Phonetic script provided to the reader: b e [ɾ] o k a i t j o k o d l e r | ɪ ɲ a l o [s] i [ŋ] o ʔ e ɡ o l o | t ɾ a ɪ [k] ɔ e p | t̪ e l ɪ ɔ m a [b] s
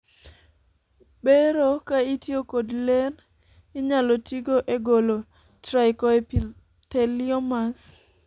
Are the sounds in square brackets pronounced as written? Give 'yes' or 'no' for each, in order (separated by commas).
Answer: yes, no, no, yes, no